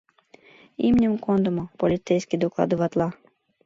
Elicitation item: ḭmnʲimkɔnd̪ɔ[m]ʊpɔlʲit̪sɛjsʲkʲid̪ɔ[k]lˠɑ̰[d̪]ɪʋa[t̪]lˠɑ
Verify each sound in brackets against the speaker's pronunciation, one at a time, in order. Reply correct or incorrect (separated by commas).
correct, correct, correct, correct